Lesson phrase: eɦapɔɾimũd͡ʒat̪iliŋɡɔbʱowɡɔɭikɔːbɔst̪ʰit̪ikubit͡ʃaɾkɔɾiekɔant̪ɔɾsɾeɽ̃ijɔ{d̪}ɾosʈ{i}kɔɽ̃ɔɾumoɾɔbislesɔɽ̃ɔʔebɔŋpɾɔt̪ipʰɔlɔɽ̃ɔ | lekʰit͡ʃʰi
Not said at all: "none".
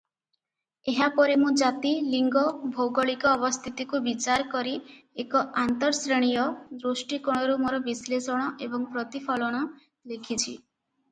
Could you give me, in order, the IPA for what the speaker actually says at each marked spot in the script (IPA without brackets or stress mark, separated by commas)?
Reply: d̪, i